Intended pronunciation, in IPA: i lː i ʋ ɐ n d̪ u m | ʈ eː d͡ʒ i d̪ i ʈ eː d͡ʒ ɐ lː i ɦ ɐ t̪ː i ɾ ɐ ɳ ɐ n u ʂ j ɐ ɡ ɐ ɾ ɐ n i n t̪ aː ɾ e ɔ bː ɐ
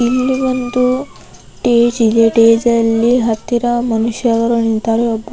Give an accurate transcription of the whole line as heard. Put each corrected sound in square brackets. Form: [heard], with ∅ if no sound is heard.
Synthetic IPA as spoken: i lː i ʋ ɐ n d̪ u [∅] | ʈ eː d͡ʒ i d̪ [e] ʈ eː d͡ʒ ɐ lː i ɦ ɐ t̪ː i ɾ ɐ [m] ɐ n u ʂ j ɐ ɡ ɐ ɾ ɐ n i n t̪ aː ɾ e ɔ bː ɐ